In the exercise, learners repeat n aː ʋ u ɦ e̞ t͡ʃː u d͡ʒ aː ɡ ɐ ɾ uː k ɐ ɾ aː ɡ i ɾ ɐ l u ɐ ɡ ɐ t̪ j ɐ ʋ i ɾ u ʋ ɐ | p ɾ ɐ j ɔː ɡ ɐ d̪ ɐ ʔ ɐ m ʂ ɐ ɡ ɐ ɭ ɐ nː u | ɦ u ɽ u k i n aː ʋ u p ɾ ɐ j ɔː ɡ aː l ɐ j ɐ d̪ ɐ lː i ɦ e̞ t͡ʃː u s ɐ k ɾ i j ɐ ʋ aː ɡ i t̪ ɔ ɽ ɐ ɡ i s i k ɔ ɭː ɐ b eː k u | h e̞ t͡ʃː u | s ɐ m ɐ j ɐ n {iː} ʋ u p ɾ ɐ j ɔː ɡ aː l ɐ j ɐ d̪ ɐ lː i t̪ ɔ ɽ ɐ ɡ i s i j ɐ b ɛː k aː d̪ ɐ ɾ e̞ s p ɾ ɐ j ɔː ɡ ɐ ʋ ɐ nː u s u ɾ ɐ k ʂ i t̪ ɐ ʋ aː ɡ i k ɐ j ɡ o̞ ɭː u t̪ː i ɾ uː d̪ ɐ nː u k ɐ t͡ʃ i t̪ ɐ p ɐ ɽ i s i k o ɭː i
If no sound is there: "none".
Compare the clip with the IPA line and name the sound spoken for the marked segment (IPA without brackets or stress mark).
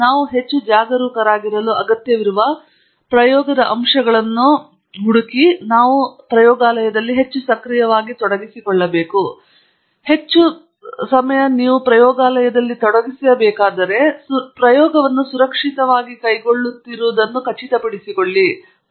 iː